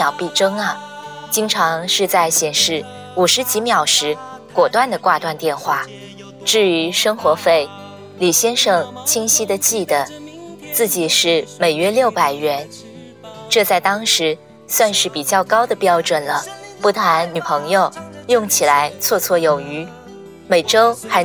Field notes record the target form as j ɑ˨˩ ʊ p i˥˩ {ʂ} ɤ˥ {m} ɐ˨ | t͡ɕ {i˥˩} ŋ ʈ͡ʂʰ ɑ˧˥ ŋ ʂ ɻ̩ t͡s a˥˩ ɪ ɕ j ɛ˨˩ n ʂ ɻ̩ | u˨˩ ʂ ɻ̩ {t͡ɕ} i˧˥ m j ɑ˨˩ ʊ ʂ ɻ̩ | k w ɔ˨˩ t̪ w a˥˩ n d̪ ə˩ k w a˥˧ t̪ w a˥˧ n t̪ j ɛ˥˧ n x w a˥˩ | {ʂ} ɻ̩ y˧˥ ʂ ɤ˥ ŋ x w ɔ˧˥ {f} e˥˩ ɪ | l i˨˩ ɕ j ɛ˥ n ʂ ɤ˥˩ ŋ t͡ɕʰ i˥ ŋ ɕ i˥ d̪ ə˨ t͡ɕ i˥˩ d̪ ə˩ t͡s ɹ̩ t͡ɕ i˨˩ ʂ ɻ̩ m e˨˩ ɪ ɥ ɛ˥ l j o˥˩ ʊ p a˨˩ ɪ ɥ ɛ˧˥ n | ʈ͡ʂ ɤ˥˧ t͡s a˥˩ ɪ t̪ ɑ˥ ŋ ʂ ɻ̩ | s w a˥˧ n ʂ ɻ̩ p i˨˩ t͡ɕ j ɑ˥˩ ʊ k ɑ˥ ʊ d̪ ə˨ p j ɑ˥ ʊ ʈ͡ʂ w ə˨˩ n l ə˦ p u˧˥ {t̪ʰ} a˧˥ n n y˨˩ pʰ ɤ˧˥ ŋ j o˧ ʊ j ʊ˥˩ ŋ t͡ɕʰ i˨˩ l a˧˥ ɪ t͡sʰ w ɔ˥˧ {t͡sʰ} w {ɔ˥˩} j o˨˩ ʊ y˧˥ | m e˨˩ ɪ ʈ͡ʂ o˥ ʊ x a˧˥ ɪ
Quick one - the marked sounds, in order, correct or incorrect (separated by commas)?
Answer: incorrect, incorrect, incorrect, correct, incorrect, correct, correct, correct, correct